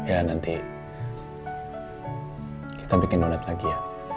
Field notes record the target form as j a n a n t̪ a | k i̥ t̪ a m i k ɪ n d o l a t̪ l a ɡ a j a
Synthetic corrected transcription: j a n a n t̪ i | k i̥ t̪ a b i k ɪ n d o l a t̪ l a ɡ i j a